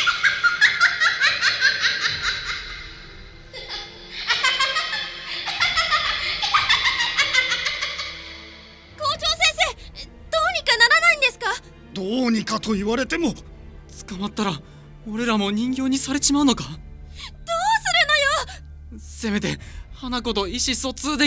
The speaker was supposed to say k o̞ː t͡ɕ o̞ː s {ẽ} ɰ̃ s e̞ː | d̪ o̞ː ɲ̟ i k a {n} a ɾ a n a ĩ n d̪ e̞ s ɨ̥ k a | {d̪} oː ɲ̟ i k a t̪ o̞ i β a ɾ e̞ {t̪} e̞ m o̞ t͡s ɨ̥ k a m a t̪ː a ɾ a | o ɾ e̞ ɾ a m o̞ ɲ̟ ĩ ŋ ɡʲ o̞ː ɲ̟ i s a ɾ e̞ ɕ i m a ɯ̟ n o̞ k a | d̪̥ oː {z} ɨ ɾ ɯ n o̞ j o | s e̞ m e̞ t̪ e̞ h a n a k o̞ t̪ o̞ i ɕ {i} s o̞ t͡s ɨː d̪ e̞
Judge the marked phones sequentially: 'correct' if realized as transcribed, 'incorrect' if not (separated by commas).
correct, correct, correct, correct, incorrect, correct